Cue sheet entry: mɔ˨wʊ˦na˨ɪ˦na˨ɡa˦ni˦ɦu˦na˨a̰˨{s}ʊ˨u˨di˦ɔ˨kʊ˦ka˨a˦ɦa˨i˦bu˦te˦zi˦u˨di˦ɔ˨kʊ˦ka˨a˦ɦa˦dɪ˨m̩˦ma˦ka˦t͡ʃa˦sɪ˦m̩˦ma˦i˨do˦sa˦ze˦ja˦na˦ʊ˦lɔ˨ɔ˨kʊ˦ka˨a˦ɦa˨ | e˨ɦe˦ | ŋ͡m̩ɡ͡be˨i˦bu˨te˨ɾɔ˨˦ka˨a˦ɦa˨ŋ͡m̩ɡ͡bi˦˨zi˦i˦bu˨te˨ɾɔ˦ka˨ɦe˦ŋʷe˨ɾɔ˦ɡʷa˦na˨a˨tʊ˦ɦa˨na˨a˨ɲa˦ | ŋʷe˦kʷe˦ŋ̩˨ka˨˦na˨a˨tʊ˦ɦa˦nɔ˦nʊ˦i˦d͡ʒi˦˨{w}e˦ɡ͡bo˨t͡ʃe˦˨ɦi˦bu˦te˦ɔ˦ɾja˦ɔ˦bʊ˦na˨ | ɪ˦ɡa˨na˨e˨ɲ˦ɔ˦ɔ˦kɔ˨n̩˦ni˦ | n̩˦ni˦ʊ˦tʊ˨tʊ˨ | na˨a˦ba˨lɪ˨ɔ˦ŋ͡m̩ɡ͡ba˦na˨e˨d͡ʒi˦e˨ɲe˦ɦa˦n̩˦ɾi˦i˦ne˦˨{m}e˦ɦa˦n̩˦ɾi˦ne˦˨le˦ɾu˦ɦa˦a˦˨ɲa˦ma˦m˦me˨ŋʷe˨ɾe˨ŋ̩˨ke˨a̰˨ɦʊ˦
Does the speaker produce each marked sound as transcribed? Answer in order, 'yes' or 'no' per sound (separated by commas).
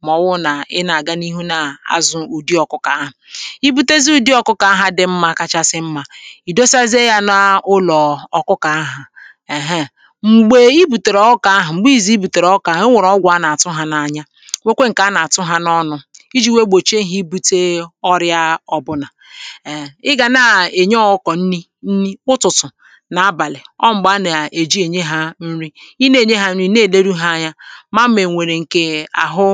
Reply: no, yes, no